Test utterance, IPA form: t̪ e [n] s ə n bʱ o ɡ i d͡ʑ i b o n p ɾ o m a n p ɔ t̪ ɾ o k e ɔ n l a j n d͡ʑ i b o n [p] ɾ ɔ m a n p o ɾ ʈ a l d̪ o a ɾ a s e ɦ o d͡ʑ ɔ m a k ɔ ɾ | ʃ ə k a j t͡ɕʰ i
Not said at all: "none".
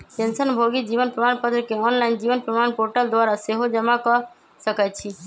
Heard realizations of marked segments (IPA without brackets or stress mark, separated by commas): n, p